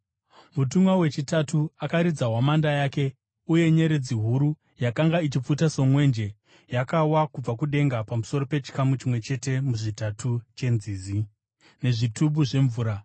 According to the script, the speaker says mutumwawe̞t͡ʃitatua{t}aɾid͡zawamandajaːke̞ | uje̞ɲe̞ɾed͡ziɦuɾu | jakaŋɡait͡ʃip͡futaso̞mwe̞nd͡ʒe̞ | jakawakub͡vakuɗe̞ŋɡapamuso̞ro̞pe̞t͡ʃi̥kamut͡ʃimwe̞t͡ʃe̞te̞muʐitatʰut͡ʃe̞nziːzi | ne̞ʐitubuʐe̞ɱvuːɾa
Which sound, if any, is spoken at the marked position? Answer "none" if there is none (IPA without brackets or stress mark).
k